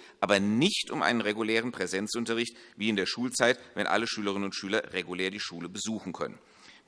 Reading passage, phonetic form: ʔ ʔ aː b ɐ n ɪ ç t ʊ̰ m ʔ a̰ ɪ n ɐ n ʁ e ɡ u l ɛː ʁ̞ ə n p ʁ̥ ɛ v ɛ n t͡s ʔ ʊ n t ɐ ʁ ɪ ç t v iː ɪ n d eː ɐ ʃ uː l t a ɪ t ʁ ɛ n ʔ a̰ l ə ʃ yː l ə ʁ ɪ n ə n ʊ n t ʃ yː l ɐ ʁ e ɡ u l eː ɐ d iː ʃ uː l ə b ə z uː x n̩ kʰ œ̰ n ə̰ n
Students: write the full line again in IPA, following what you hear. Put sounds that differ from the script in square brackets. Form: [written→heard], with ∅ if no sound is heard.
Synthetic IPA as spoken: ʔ ʔ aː b ɐ n ɪ ç t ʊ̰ m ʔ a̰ ɪ n [ɐ→ə] n ʁ e ɡ u l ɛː ʁ̞ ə n p ʁ̥ ɛ [v→z] ɛ n t͡s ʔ ʊ n t ɐ ʁ ɪ ç t v iː ɪ n d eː ɐ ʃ uː l [t→t͡s] a ɪ t [ʁ→v] ɛ n ʔ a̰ l ə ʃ yː l ə ʁ ɪ n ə n ʊ n t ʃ yː l ɐ ʁ e ɡ u l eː ɐ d iː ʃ uː l ə b ə z uː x n̩ kʰ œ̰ n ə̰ n